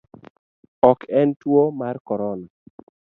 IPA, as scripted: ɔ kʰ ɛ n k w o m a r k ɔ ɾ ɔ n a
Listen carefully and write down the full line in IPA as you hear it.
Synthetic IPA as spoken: ɔ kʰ ɛ n t w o m a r k ɔ ɾ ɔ n a

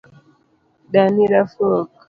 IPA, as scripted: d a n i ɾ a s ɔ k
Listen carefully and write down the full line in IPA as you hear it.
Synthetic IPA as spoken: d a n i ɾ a f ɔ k

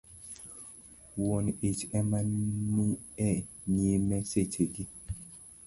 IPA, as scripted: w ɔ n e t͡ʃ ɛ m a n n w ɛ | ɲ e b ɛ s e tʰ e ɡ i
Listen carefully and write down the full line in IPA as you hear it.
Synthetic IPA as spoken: w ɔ n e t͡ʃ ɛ m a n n u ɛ | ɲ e m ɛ s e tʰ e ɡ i

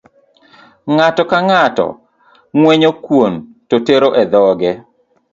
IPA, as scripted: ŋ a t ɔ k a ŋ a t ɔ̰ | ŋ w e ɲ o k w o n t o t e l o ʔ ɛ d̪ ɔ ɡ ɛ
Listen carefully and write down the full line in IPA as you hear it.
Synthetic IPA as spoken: ŋ a t ɔ k a ŋ a t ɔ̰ | ŋ w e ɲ o k w o n t o t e ɾ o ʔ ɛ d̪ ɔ ɡ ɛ

